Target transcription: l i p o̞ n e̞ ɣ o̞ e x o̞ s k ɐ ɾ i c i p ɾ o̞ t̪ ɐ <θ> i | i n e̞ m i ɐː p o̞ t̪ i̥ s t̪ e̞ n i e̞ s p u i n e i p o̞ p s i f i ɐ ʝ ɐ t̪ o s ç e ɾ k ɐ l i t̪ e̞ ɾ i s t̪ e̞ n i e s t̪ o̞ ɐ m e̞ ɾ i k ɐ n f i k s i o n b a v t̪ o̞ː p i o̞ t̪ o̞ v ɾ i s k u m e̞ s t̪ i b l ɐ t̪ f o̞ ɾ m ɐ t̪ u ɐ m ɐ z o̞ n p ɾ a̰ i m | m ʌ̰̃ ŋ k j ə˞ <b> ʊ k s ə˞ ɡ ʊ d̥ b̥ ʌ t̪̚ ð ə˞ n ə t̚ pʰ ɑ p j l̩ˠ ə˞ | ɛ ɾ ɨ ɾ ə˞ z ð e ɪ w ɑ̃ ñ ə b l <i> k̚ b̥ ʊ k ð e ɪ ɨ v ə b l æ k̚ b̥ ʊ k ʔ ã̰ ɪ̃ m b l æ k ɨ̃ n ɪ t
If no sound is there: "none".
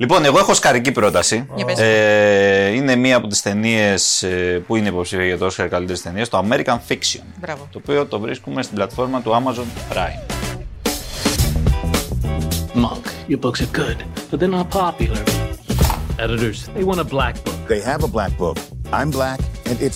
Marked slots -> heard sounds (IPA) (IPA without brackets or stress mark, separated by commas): s, b, æ